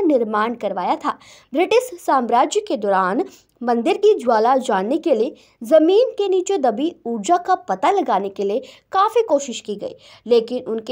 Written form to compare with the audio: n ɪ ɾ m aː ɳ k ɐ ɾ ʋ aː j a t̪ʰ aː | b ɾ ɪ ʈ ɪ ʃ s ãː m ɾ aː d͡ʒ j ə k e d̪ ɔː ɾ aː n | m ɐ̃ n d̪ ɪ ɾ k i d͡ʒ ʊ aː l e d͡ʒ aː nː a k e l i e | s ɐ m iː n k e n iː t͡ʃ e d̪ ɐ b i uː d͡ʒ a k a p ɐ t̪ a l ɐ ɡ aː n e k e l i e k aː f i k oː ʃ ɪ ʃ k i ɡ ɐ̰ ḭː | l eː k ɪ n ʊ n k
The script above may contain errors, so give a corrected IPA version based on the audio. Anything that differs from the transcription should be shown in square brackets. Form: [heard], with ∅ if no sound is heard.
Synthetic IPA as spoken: n ɪ ɾ m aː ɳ k ɐ ɾ ʋ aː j a t̪ʰ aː | b ɾ ɪ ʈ ɪ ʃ s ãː m ɾ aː d͡ʒ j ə k e d̪ ɔː ɾ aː n | m ɐ̃ n d̪ ɪ ɾ k i d͡ʒ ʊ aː l [a] d͡ʒ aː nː [e] k e l i e | [z] ɐ m iː n k e n iː t͡ʃ e d̪ ɐ b i uː d͡ʒ a k a p ɐ t̪ a l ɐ ɡ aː n e k e l i e k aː f i k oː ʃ ɪ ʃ k i ɡ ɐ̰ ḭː | l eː k ɪ n ʊ n k